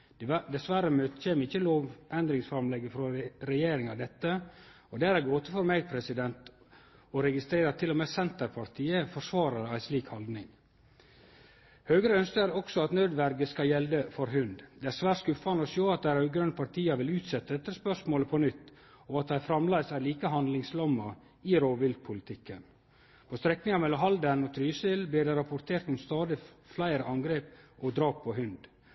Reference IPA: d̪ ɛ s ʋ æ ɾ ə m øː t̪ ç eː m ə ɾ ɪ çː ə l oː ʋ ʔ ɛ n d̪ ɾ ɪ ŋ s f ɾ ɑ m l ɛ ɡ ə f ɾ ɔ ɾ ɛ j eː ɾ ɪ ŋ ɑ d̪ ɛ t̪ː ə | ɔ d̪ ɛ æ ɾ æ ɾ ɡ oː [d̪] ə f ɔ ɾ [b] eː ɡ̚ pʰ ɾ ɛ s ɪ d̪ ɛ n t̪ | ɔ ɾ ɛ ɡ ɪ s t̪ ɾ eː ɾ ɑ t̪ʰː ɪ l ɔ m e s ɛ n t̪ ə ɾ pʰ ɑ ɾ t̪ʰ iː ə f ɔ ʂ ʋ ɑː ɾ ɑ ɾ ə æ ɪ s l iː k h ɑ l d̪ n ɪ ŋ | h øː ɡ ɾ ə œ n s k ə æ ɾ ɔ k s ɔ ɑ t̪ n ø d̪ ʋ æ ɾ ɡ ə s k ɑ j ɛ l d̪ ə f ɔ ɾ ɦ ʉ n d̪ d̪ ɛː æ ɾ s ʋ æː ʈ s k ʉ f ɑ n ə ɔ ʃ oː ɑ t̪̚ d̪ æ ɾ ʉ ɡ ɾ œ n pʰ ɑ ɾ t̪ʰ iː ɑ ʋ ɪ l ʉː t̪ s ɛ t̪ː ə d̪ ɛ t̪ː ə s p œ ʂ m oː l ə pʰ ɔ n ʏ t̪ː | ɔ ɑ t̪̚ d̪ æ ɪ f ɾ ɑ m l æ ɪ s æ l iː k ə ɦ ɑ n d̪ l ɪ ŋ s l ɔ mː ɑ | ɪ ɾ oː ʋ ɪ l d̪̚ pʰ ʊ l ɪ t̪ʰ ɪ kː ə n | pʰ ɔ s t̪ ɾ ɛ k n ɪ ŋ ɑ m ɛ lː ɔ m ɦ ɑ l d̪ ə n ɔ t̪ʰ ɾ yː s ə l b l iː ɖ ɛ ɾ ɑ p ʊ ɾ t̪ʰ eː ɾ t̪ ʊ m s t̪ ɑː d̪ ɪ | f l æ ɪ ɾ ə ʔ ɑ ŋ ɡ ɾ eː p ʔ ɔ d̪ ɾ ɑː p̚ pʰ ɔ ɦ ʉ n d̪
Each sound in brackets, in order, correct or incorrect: incorrect: t̪, incorrect: m

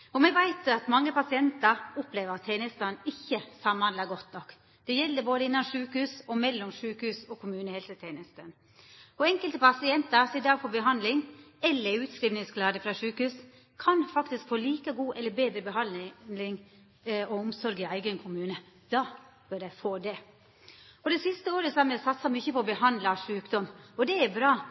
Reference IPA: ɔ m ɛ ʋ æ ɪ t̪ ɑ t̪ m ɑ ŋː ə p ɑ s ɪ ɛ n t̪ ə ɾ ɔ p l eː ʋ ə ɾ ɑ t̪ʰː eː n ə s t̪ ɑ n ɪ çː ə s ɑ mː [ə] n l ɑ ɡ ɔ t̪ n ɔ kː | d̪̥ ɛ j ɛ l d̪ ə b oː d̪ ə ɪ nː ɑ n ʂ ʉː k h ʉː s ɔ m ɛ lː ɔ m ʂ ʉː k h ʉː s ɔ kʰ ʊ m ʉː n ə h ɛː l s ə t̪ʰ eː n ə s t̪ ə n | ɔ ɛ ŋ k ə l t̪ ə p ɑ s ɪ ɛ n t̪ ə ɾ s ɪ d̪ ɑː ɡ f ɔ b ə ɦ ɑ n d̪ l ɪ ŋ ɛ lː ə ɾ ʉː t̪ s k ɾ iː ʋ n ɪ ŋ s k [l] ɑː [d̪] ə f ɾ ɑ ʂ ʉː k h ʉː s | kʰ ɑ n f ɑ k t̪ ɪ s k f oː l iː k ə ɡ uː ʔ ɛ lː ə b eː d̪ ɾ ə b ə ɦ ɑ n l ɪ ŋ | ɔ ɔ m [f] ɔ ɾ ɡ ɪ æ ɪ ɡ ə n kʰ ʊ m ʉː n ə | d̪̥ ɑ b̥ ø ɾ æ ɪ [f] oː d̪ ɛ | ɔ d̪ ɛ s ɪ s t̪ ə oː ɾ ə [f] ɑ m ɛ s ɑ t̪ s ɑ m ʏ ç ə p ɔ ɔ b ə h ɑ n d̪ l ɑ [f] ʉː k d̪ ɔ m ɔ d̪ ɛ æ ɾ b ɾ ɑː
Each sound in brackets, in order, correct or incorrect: incorrect: ɑ, correct, correct, incorrect: s, correct, incorrect: s, incorrect: ʂ

